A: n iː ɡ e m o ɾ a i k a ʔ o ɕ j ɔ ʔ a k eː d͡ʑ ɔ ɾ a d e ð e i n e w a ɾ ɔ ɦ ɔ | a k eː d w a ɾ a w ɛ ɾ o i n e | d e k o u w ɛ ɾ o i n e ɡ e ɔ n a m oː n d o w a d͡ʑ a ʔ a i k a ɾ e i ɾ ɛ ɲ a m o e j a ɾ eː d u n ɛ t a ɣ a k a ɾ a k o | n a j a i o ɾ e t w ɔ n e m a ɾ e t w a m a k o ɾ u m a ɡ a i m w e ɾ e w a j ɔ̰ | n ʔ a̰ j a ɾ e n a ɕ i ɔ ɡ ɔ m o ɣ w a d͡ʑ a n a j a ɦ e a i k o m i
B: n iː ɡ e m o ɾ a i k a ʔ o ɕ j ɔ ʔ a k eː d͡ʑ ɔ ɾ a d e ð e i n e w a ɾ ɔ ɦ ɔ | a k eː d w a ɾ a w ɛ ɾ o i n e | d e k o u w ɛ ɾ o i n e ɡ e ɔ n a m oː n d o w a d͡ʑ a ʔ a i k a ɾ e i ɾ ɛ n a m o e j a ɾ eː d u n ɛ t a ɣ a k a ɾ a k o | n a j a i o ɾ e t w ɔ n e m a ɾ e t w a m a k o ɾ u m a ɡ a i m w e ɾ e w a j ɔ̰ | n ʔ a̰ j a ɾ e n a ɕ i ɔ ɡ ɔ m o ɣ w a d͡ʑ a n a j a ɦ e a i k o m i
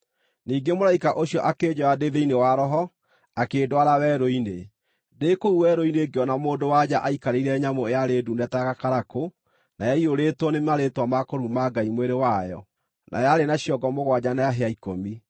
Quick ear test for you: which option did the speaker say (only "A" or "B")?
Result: A